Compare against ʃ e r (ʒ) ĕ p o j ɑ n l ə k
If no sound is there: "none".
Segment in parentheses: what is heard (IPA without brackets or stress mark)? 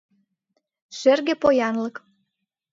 ɣ